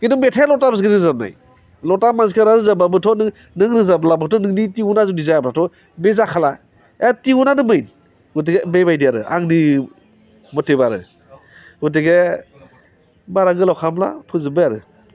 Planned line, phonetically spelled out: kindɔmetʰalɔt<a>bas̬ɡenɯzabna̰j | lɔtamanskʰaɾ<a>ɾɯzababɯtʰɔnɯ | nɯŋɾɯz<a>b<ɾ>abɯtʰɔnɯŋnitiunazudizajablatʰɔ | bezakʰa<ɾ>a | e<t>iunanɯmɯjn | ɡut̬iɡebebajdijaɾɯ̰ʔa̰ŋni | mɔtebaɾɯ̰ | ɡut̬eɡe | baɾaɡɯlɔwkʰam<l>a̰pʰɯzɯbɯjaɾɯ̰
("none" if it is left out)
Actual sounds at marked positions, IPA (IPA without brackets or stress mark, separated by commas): a, a, a, l, l, t, l